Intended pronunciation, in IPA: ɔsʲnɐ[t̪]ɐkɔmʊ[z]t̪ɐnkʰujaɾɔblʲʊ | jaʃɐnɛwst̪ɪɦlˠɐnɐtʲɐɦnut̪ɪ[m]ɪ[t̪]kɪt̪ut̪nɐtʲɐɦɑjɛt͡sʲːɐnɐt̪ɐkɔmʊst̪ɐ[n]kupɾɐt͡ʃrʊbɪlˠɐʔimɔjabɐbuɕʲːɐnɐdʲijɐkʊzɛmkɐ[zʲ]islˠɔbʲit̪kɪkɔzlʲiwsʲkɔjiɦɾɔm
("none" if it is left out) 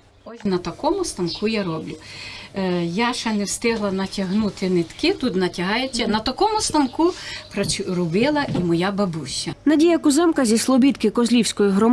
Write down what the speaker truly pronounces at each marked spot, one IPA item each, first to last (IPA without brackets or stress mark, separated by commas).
t̪, s, n, t̪, n, zʲ